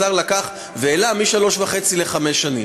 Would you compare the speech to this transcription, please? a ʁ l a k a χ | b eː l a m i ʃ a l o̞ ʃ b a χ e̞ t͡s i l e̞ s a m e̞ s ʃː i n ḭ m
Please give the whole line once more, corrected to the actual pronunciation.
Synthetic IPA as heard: a ʁ l a k a χ | v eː l a m i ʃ a l o̞ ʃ v a χ e̞ t͡s i l e̞ χ a m e̞ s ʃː a n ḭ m